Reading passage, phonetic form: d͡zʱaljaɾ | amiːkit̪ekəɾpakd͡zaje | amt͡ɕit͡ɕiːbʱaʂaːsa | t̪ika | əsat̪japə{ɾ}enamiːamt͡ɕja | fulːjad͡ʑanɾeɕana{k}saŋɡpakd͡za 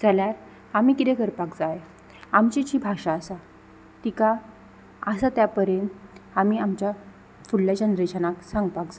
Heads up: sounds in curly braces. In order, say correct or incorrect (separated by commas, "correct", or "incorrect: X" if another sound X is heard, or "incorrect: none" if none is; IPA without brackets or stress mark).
correct, correct